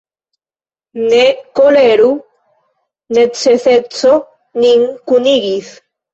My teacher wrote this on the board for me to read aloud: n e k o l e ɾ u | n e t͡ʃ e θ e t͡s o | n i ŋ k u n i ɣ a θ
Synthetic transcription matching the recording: n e k o l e ɾ u | n e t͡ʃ e θ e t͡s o | n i ŋ k u n i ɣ i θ